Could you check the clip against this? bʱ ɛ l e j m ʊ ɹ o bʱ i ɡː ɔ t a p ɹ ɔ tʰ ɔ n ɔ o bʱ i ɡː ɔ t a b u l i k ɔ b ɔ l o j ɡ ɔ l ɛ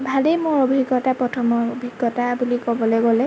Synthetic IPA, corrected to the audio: bʱ a l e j m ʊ ɹ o bʱ i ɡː ɔ t a p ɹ ɔ tʰ ɔ m ɔ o bʱ i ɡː ɔ t a b u l i k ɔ b ɔ l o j ɡ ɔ l ɛ